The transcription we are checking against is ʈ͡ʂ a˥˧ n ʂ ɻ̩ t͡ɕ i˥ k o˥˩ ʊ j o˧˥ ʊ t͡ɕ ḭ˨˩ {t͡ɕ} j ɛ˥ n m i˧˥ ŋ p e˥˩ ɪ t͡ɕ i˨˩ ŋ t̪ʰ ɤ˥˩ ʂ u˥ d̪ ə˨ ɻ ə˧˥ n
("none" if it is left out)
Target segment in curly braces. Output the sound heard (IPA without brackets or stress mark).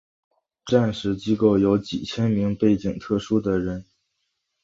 t͡ɕʰ